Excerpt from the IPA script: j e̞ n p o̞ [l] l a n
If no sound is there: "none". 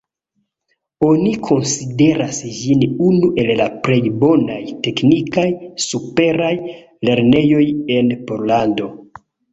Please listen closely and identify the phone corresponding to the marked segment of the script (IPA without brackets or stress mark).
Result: ɾ